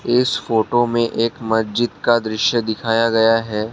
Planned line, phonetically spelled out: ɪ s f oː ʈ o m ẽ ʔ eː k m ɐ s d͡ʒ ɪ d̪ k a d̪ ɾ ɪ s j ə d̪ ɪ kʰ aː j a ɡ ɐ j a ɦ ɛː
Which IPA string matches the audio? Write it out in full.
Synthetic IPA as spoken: ɪ s f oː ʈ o m ẽ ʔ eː k m ɐ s d͡ʒ ɪ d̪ k a d̪ ɾ ɪ ʃ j ə d̪ ɪ kʰ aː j a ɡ ɐ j a ɦ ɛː